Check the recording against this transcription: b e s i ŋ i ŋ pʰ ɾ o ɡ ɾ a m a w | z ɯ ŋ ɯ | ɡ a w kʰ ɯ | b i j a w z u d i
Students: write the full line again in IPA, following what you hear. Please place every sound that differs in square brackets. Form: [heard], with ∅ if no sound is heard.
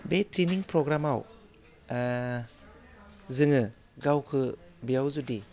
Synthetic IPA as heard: b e [t] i [n] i ŋ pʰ ɾ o ɡ ɾ a m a w | z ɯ ŋ ɯ | ɡ a w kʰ ɯ | b i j a w z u d i